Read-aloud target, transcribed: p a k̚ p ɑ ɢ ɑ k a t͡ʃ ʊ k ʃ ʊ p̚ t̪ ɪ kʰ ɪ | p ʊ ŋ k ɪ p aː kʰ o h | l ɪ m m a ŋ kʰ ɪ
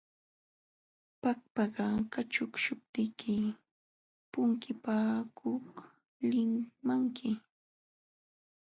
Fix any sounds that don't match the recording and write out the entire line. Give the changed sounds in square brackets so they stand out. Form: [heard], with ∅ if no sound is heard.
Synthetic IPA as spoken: p a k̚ p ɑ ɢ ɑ k a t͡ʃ ʊ k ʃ ʊ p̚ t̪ ɪ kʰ ɪ | p ʊ ŋ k ɪ p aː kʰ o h | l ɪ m m a ŋ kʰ ɪ